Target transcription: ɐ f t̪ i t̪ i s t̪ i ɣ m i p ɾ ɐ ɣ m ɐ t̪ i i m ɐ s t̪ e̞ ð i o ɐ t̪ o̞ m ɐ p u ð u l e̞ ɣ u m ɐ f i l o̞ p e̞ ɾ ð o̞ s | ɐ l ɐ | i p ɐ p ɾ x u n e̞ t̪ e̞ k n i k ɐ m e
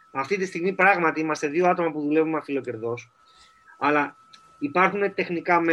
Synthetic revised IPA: ɐ f t̪ i t̪ i s t̪ i ɣ m i p ɾ ɐ ɣ m ɐ t̪ i i m ɐ s t̪ e̞ ð i o ɐ t̪ o̞ m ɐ p u ð u l e̞ v u m ɐ f i l o̞ c e̞ ɾ ð o̞ s | ɐ l ɐ | i p ɐ ɾ x u n e̞ t̪ e̞ x n i k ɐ m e